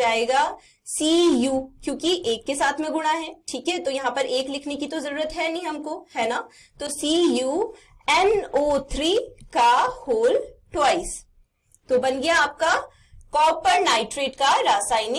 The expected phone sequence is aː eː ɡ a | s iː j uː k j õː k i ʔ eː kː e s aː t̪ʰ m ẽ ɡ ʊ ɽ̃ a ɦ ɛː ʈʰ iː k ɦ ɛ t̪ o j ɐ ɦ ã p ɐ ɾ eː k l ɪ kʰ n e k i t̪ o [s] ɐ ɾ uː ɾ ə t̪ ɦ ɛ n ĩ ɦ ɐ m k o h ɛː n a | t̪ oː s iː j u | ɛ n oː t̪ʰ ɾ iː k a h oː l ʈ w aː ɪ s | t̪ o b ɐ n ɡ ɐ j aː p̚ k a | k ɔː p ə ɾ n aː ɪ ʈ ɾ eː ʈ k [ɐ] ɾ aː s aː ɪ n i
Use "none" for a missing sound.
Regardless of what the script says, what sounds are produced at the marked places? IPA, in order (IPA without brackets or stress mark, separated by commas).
z, a